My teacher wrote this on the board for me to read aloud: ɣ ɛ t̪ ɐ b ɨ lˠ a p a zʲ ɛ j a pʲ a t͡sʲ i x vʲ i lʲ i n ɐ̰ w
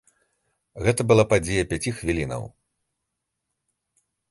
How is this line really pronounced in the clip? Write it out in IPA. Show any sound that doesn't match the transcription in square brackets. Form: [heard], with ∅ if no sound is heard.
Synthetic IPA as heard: ɣ ɛ t̪ ɐ b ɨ lˠ a p a [d͡zʲ] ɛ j [ɐ] pʲ a t͡sʲ i x vʲ i lʲ i n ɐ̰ w